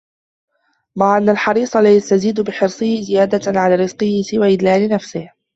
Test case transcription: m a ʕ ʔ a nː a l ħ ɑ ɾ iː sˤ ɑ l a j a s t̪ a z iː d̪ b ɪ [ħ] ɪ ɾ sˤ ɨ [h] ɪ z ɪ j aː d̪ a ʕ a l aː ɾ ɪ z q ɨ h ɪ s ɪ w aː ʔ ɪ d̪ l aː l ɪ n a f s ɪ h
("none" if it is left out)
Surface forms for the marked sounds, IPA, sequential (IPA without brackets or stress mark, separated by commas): ħ, h